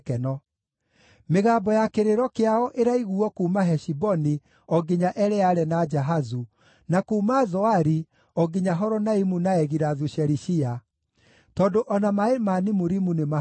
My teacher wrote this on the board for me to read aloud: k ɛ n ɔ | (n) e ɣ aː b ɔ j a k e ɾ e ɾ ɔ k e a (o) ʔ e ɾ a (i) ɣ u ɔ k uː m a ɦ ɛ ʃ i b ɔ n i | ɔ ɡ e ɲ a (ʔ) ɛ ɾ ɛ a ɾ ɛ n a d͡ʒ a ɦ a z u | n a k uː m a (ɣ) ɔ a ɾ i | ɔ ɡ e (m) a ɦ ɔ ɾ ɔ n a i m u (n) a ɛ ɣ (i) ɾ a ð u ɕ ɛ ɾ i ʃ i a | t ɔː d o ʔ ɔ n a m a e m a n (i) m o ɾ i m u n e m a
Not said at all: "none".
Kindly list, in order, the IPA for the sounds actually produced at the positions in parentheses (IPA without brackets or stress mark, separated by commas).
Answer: m, ɔ, i, ʔ, z, ɲ, n, i, i